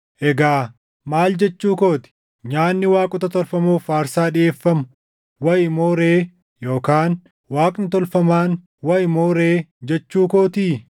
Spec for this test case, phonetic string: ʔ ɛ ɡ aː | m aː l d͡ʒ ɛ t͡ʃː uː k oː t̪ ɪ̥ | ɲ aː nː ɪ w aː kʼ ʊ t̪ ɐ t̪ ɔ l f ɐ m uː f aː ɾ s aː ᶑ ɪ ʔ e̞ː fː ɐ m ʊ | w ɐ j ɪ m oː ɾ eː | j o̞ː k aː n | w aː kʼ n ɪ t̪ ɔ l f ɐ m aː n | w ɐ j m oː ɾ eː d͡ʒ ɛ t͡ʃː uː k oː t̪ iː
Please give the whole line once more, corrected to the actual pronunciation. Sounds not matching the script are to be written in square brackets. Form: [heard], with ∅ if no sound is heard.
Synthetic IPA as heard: ʔ ɛ ɡ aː | m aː l d͡ʒ ɛ t͡ʃː uː k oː t̪ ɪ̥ | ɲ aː nː ɪ w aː kʼ ʊ t̪ ɐ t̪ ɔ l f ɐ m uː f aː ɾ s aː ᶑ ɪ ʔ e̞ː fː ɐ m ʊ | w ɐ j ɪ m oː ɾ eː | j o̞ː k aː n | w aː kʼ n ɪ t̪ ɔ l f ɐ m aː n | w ɐ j m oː ɾ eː d͡ʒ ɛ t͡ʃː uː k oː t̪ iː